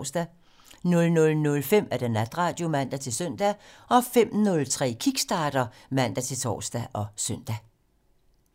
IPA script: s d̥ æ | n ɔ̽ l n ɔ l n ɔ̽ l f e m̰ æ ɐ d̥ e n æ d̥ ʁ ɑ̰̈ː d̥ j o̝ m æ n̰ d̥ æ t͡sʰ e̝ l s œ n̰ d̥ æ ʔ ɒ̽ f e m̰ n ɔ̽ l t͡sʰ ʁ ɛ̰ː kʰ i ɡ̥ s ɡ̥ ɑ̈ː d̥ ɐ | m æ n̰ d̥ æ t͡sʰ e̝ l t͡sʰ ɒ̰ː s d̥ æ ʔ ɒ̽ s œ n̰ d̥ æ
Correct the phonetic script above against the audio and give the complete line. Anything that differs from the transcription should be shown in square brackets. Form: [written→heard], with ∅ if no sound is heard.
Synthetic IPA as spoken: s d̥ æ | n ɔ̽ l n ɔ l n ɔ̽ l f e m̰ æ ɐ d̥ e n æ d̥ ʁ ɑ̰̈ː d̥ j o̝ m æ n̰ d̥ æ t͡sʰ e̝ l s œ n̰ d̥ æ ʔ ɒ̽ f e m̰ n ɔ̽ l t͡sʰ ʁ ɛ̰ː kʰ i ɡ̥ s [ɡ̥→d̥] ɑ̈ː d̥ ɐ | m æ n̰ d̥ æ t͡sʰ e̝ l t͡sʰ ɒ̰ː s d̥ æ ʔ ɒ̽ s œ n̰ d̥ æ